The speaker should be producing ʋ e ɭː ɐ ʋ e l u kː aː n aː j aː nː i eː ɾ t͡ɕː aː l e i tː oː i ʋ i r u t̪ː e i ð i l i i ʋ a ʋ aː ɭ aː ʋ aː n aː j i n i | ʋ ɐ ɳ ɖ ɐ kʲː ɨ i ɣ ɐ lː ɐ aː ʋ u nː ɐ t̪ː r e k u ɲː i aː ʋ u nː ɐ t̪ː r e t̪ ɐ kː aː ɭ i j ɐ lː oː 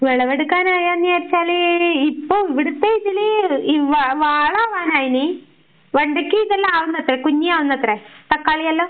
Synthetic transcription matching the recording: ʋ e ɭ ɐ ʋ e ɽ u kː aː n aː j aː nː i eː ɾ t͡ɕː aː l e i pː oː i ʋ i ɽ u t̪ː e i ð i l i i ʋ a ʋ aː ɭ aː ʋ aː n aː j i n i | ʋ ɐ ɳ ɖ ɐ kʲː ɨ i ð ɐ lː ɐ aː ʋ u nː ɐ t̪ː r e k u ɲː i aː ʋ u nː ɐ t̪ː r e t̪ ɐ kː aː ɭ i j ɐ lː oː